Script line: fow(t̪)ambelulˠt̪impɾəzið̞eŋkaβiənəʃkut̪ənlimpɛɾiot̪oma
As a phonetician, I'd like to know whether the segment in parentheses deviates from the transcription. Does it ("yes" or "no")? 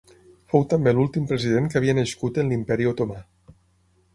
no